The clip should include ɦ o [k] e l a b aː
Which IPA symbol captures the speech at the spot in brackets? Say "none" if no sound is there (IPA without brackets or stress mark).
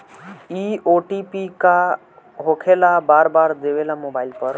kʰ